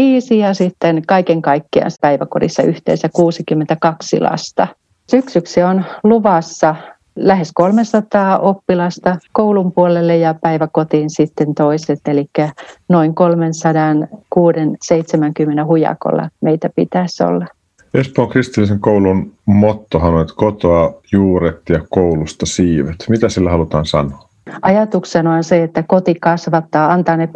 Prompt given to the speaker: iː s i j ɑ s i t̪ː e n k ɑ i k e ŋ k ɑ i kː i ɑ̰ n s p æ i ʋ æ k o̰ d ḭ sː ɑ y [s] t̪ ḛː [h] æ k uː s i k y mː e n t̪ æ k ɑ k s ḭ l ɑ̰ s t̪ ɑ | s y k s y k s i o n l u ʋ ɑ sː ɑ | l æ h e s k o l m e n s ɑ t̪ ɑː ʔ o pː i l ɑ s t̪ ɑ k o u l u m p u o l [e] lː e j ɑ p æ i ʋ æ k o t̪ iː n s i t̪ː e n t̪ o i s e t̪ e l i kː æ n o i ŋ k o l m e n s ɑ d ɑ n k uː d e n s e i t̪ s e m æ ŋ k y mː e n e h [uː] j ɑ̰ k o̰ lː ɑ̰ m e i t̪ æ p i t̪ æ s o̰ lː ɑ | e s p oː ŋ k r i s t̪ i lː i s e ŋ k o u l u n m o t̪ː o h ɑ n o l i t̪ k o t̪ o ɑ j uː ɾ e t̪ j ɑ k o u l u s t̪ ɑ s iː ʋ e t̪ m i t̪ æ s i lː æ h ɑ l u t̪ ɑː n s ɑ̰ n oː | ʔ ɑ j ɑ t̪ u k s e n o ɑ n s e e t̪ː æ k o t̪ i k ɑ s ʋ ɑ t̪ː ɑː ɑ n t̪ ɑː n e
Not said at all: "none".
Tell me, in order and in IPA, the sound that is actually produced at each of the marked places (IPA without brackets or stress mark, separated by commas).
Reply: h, s, e, u